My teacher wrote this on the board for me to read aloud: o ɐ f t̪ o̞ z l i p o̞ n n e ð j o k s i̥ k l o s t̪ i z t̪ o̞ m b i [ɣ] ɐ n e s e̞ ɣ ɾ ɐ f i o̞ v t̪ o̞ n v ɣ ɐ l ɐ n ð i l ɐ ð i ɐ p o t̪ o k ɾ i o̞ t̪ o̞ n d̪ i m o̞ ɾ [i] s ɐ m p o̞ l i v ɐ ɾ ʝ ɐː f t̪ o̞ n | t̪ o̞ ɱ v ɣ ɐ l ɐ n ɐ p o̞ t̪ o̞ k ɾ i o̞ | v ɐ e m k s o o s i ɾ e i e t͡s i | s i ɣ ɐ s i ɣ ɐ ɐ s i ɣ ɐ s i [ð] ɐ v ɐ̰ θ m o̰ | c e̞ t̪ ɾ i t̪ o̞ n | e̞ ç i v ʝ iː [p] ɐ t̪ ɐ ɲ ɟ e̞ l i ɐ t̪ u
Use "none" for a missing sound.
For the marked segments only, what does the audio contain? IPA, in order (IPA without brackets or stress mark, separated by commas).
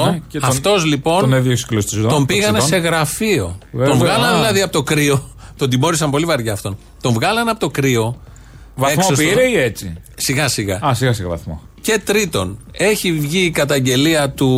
ɣ, i, ɣ, k